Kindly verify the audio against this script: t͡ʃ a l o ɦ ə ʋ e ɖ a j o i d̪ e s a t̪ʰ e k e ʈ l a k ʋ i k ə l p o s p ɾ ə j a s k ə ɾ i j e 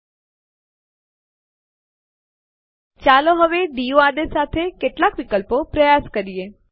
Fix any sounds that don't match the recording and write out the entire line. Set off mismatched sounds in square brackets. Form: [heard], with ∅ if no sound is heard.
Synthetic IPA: t͡ʃ a l o ɦ ə ʋ e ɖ [i] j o [a] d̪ e s a t̪ʰ e k e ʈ l a k ʋ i k ə l p o [∅] p ɾ ə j a s k ə ɾ i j e